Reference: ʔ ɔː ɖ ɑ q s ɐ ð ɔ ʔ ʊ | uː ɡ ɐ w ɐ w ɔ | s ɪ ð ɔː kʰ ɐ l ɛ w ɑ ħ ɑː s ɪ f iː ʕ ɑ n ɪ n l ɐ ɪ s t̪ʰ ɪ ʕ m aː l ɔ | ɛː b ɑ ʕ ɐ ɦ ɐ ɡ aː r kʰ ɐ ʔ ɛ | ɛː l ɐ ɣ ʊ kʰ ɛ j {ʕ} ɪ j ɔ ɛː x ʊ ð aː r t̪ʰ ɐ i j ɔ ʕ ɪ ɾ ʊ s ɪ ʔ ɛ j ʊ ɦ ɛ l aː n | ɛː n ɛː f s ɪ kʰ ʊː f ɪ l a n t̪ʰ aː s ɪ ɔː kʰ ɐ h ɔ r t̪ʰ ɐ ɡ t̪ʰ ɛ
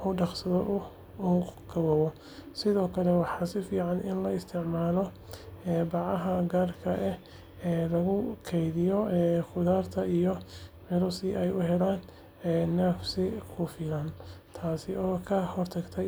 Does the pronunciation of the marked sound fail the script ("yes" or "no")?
yes